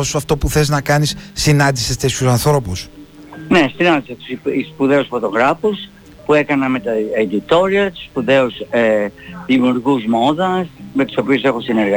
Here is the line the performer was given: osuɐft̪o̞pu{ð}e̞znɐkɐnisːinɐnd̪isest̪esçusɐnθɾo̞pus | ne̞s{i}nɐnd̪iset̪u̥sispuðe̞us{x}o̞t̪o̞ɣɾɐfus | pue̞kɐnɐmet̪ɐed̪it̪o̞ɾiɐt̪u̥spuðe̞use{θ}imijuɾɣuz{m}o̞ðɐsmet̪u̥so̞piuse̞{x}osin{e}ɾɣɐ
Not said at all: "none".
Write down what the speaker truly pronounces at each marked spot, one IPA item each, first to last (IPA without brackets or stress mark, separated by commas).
θ, i, f, ð, m, x, e